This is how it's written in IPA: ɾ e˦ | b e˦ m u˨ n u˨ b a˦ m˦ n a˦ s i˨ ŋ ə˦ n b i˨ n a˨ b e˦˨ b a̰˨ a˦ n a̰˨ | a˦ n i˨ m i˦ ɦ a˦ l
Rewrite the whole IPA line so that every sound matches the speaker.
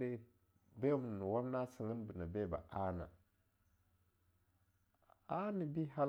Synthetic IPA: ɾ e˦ | b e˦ m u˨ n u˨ w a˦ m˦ n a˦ s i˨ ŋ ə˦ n b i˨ n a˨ b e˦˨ b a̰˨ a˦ n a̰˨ | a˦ n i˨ b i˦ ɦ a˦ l